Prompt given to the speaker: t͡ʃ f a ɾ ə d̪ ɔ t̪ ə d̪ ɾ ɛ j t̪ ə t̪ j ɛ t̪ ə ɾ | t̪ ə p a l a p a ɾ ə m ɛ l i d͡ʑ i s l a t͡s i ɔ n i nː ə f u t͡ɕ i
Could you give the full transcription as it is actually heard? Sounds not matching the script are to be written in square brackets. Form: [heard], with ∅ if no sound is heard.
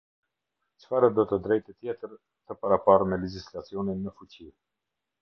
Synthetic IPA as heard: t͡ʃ f a ɾ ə d̪ ɔ t̪ ə d̪ ɾ ɛ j t̪ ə t̪ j ɛ t̪ ə ɾ | t̪ ə p a [ɾ] a p a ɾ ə m ɛ l [ɛ] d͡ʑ i s l a t͡s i ɔ n i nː ə f u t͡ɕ i